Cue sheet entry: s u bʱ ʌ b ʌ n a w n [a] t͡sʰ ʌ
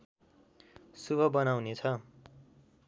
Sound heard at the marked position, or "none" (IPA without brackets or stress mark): e